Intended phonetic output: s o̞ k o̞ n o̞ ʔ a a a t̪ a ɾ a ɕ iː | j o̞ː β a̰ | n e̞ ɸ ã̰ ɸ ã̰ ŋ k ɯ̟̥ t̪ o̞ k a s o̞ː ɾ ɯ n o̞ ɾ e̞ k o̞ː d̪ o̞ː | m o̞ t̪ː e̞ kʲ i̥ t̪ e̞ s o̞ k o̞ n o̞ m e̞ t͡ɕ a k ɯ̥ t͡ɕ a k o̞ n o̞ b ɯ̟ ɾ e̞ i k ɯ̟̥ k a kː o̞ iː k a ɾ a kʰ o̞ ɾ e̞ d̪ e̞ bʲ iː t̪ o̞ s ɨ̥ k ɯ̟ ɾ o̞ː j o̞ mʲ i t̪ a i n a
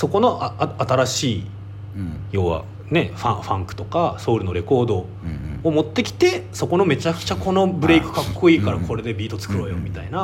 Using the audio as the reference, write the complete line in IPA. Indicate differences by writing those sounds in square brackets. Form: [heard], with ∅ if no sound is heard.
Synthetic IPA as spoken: s o̞ k o̞ n o̞ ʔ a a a t̪ a ɾ a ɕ iː | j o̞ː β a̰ | n e̞ ɸ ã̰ ɸ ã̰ ŋ k ɯ̟̥ t̪ o̞ k a s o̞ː ɾ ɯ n o̞ ɾ e̞ k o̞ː d̪ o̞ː | m o̞ t̪ː e̞ kʲ i̥ t̪ e̞ s o̞ k o̞ n o̞ m e̞ t͡ɕ a k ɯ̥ t͡ɕ a k o̞ n o̞ b ɯ̟ ɾ e̞ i k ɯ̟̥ k a kː o̞ iː k a ɾ a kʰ o̞ ɾ e̞ d̪ e̞ bʲ iː t̪ o̞ [t͡s] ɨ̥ k ɯ̟ ɾ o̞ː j o̞ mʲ i t̪ a i n a